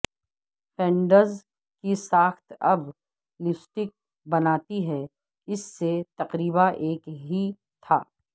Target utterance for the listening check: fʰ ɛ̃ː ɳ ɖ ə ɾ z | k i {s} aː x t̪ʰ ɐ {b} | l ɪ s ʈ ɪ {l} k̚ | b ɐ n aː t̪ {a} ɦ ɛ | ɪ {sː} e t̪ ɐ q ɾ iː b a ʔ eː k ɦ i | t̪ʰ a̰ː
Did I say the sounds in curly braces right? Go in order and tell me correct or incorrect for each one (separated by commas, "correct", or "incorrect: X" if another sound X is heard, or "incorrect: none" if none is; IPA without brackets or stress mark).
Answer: correct, correct, incorrect: none, incorrect: i, correct